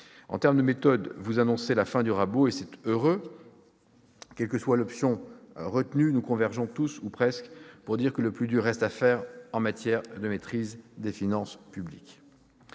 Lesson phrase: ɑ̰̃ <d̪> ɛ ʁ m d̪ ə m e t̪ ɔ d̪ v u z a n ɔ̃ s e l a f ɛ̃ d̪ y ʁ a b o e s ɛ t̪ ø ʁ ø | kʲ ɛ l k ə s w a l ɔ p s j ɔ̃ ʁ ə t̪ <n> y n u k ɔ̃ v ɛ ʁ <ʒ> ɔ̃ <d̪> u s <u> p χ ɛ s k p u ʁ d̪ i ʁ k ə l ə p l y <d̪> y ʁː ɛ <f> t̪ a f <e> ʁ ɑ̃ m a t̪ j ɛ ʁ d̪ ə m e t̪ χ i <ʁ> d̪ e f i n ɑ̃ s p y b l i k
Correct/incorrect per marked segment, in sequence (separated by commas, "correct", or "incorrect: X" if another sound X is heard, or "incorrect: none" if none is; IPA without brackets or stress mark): incorrect: t̪, correct, correct, incorrect: t̪, correct, correct, incorrect: s, incorrect: ɛ, incorrect: z